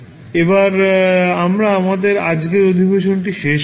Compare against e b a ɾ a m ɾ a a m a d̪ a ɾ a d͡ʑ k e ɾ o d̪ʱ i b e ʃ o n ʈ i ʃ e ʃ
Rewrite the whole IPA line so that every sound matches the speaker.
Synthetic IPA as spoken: e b a ɾ a m ɾ a a m a d̪ e ɾ a d͡ʑ ɡ e ɾ o d̪ʱ i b e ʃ o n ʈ i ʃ e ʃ

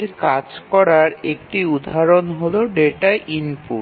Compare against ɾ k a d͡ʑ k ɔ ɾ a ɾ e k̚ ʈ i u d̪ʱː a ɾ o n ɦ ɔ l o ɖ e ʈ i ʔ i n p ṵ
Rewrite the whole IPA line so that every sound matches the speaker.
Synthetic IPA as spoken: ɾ k a d͡ʑ k ɔ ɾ a ɾ e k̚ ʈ i u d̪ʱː a ɾ o n ɦ o l o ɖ e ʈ a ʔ i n p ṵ

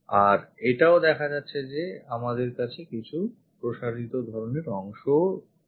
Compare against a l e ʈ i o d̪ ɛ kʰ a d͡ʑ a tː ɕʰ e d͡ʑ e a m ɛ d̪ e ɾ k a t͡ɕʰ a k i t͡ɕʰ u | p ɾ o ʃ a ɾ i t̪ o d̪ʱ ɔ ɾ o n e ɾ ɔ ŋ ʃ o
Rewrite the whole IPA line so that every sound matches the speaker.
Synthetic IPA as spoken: a ɾ e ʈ a o d̪ ɛ kʰ a d͡ʑ a tː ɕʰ e d͡ʑ e a m a d̪ e ɾ k a t͡ɕʰ e k i t͡ɕʰ u | p ɾ o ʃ a ɾ i t̪ o d̪ʱ ɔ ɾ o n e ɾ ɔ ŋ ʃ o

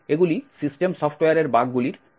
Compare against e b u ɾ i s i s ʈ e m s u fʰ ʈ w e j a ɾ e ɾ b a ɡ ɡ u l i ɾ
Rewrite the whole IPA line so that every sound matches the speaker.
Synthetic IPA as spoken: e ɡ u l i s i s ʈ e m s ɔ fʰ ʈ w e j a ɾ e ɾ b a ɡ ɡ u l i ɾ

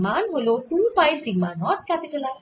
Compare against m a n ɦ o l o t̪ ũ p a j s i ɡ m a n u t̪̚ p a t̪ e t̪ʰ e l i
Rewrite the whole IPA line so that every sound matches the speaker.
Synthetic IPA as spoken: m a n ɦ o l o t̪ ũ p a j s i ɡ m a n ɔ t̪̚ k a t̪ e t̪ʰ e l a

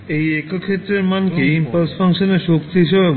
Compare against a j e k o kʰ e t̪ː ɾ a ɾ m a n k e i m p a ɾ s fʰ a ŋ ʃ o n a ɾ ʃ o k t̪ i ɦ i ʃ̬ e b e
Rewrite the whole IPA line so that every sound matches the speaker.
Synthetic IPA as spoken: e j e k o kʰ e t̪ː ɾ e ɾ m a n k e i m p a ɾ s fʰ a ŋ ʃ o n e ɾ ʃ o k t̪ i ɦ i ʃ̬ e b e

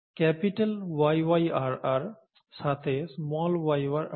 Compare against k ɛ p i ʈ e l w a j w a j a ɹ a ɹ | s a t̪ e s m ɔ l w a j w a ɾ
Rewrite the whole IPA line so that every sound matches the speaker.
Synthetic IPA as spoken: k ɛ p i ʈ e l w a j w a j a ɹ a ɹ | s a t̪ʰ e s m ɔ l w a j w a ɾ

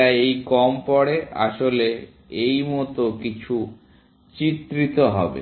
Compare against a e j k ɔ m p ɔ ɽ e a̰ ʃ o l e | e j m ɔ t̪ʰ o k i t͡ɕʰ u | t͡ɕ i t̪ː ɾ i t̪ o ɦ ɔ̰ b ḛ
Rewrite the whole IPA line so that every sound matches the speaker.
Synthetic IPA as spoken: a e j k ɔ m p ɔ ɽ e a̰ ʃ o l e | e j m ɔ t̪ o k i t͡ɕʰ u | t͡ɕ i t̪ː ɾ i t̪ o ɦ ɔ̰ b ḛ

